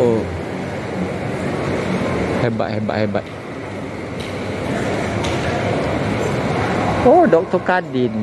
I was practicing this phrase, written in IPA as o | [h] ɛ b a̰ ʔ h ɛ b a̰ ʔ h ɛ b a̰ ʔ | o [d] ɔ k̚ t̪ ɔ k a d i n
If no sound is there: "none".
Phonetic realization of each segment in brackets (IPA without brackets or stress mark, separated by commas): h, d